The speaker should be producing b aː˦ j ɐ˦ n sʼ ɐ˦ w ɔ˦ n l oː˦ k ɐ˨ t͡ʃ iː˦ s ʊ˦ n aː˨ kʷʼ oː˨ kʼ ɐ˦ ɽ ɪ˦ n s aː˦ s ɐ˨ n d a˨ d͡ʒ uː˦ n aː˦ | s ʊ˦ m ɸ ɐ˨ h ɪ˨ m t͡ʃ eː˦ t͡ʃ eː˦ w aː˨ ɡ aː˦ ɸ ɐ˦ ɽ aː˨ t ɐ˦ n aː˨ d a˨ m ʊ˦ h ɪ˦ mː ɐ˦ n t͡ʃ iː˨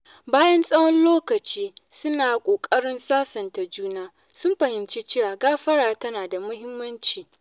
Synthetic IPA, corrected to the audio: b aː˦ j ɐ˦ n sʼ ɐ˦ w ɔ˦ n l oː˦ k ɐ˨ t͡ʃ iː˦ s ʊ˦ n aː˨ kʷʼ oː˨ kʼ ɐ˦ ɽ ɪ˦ n s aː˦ s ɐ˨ n t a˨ d͡ʒ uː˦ n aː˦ | s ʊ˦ m ɸ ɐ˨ h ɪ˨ m t͡ʃ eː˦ t͡ʃ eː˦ w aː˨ ɡ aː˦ ɸ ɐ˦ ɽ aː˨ t ɐ˦ n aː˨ d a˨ m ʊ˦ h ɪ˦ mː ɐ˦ n t͡ʃ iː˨